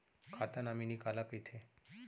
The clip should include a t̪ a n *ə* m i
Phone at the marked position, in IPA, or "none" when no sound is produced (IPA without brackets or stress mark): a